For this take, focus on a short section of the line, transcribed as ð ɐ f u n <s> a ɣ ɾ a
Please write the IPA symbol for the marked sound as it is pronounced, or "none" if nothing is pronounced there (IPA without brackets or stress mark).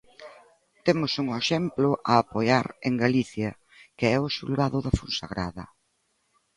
s